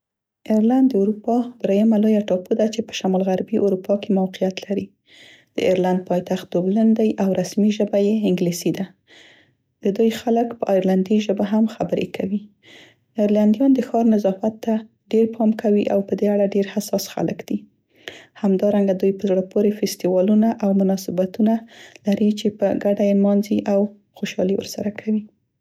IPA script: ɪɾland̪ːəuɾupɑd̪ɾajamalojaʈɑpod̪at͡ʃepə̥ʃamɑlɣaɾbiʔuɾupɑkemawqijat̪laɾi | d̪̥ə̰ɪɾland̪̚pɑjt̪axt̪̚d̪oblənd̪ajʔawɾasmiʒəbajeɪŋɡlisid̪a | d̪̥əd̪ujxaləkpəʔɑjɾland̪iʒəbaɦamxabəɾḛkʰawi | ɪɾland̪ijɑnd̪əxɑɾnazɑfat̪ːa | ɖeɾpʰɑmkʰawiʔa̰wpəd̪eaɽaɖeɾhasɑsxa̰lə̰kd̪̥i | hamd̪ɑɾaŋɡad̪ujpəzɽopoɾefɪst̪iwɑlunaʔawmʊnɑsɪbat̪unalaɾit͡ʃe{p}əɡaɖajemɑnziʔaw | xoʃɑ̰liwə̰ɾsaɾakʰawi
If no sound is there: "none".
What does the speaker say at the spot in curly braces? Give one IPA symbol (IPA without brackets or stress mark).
p